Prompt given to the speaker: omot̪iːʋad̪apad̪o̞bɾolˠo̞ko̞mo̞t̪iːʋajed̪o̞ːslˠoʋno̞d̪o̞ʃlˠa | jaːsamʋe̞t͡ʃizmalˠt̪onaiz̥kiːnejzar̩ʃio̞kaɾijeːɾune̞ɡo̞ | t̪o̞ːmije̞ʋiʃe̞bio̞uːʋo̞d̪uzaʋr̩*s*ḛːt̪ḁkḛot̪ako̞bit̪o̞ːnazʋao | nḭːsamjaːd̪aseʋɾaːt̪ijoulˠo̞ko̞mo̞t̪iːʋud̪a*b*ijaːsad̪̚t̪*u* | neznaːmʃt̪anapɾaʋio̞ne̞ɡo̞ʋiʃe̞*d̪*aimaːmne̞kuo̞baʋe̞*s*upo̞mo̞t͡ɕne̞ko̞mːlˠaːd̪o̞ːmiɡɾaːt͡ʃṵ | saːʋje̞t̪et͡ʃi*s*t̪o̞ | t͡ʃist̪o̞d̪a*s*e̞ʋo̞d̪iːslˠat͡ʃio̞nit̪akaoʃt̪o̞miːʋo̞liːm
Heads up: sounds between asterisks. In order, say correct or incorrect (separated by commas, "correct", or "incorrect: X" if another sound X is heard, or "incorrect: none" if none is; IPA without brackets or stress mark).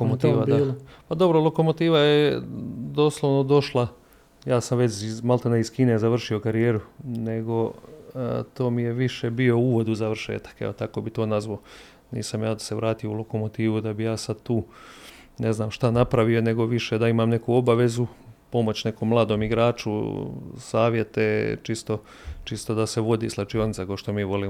incorrect: ʃ, correct, incorrect: uː, correct, incorrect: z, correct, correct